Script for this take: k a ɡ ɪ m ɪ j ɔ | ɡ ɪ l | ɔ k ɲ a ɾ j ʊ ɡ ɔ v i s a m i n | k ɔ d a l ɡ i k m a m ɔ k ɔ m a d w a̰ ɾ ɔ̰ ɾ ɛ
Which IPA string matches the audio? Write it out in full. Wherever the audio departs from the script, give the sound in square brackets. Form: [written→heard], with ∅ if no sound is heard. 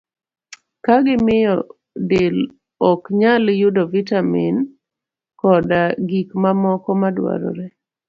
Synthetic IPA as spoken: k a ɡ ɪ m ɪ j ɔ | [ɡ→d] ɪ l | ɔ k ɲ a [ɾ→l] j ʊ [ɡ→d] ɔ v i [s→t] a m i n | k ɔ d a [l→∅] ɡ i k m a m ɔ k ɔ m a d w a̰ ɾ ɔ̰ ɾ ɛ